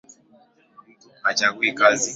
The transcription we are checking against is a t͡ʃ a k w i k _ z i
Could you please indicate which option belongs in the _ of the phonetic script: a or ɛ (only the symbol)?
a